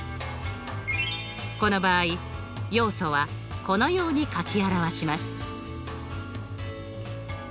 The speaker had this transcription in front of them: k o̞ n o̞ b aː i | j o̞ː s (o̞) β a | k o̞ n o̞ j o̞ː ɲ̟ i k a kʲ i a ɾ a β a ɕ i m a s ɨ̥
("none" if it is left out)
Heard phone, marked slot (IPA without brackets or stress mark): o̞